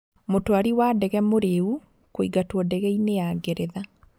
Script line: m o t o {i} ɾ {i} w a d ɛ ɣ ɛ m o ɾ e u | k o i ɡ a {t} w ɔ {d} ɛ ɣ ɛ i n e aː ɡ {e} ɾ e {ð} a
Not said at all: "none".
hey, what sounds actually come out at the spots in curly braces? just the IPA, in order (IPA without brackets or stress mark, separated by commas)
a, i, t, d, e, ð